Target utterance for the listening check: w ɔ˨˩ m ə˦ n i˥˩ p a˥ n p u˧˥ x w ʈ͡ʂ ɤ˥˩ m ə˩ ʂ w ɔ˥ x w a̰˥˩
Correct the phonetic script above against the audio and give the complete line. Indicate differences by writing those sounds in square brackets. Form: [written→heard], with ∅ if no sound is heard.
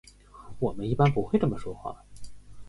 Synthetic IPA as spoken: w ɔ˨˩ m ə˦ n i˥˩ p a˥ n p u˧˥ x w ʈ͡ʂ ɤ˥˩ m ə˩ ʂ w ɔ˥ x w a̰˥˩